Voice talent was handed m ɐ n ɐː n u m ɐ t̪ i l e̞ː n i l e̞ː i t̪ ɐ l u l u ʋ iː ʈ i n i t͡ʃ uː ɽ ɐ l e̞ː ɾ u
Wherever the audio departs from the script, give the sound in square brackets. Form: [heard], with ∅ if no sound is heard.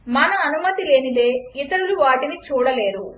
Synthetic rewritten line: m ɐ n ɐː n u m ɐ t̪ i l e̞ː n i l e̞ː i t̪ ɐ [ɾ] u l u ʋ [aː] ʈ i n i t͡ʃ uː ɽ ɐ l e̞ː ɾ u